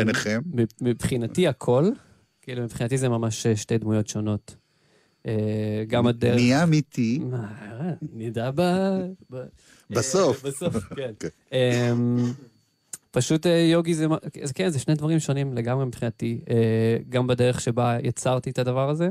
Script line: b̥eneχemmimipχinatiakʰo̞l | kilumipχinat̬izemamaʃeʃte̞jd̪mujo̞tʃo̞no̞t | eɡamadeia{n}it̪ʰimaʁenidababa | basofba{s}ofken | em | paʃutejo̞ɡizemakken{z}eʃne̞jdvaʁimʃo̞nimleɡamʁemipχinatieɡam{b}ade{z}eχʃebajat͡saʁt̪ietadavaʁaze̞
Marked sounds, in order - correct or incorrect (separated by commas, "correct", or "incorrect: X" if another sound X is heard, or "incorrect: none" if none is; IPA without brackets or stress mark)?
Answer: incorrect: m, correct, correct, correct, incorrect: ʁ